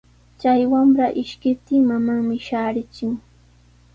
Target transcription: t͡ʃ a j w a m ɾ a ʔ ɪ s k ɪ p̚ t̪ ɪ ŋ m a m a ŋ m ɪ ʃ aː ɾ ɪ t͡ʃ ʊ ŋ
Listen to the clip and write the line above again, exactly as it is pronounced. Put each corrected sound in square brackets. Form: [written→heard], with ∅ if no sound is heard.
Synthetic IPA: t͡ʃ a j w a m ɾ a ʔ ɪ [s→ʃ] k ɪ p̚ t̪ ɪ ŋ m a m a ŋ m ɪ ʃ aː ɾ ɪ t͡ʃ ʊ ŋ